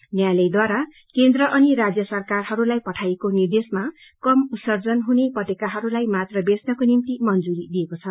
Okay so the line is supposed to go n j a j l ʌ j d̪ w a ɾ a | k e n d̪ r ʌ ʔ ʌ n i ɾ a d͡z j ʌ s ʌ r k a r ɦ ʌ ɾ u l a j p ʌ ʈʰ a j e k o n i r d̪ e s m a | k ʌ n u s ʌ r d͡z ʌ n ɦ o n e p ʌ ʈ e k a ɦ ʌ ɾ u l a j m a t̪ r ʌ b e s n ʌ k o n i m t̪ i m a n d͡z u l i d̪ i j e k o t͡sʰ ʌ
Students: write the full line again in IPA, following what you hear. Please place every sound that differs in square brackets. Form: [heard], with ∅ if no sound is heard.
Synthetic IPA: n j a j l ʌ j d̪ w a ɾ a | k e n d̪ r ʌ ʔ ʌ n i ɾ a d͡z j ʌ s ʌ r k a r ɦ ʌ ɾ u l a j p ʌ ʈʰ a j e k o n i r d̪ e s m a | k ʌ [m] u s ʌ r d͡z ʌ n ɦ [u] n e p ʌ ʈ e k a ɦ ʌ ɾ u l a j m a t̪ r ʌ b e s n ʌ k o n i m t̪ i m [ʌ] n d͡z u [ɾ] i d̪ i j e k o t͡sʰ ʌ